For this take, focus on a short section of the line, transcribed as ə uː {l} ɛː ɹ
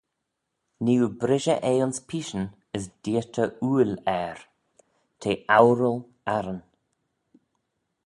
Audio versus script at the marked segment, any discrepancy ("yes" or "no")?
no